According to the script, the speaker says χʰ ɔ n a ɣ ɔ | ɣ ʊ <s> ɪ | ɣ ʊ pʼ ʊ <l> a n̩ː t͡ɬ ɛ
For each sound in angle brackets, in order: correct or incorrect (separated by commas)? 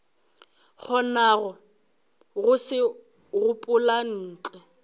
correct, correct